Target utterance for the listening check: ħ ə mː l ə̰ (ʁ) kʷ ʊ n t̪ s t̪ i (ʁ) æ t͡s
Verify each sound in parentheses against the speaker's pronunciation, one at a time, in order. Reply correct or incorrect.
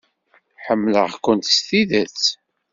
correct, incorrect: ð

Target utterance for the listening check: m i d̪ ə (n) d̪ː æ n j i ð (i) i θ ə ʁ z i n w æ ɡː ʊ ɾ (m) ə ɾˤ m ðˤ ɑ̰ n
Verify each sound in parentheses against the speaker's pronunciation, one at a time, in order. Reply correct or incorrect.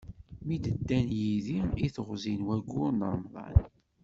incorrect: none, correct, incorrect: n

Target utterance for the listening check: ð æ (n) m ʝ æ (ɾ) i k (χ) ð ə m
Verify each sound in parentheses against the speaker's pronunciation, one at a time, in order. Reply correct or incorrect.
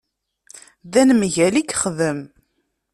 correct, incorrect: l, correct

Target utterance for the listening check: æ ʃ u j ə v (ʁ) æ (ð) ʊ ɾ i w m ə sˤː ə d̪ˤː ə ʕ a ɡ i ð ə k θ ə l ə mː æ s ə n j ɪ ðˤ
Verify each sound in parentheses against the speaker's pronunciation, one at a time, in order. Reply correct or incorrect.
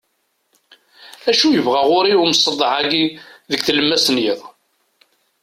correct, incorrect: ʁ

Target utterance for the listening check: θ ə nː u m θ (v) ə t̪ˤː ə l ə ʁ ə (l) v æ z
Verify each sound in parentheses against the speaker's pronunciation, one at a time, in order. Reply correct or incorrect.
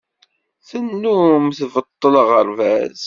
correct, incorrect: ɾ

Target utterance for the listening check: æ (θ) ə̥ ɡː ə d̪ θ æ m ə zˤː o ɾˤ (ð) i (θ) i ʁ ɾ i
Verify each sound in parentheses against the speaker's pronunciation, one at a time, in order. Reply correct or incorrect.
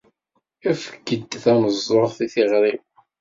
incorrect: f, incorrect: θ, correct

